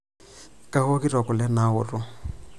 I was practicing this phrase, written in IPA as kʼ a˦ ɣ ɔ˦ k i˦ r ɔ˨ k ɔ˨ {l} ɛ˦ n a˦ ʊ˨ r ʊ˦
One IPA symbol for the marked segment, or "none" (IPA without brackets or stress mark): l